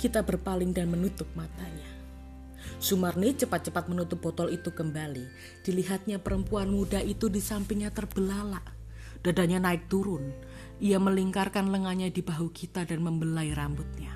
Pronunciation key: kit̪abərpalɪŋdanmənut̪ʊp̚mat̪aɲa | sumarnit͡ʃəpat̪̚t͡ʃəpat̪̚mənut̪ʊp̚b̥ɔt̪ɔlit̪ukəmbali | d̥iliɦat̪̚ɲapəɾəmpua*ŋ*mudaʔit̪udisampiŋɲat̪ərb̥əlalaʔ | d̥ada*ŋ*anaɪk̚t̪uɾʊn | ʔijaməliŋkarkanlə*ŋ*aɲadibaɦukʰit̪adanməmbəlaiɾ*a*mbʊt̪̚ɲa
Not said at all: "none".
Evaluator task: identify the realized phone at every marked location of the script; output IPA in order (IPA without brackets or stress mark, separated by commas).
n, ɲ, ŋ, a